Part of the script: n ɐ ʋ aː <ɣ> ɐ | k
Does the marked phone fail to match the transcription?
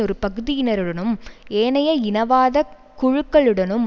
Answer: yes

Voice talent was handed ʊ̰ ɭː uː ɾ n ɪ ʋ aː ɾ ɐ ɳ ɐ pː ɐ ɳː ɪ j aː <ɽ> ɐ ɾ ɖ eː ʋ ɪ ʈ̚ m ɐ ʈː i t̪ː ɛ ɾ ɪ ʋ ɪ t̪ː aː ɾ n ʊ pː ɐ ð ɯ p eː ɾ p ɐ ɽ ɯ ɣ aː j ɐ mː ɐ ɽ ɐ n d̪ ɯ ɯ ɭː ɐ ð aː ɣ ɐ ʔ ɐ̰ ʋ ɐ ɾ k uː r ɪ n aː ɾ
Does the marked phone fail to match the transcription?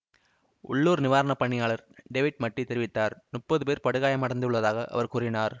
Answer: yes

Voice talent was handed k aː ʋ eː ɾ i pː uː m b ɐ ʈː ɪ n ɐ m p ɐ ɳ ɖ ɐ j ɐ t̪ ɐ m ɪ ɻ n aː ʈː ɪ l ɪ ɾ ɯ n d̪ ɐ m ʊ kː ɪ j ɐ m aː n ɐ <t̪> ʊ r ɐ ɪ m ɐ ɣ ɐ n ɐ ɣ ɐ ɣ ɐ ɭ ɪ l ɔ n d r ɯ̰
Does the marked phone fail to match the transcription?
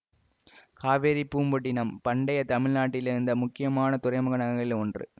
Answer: no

